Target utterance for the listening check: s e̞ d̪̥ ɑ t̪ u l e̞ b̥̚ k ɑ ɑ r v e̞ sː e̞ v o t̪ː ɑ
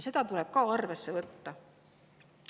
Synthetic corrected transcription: s e̞ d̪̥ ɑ t̪ u l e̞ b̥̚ k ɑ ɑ r v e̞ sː e̞ v ɤ t̪ː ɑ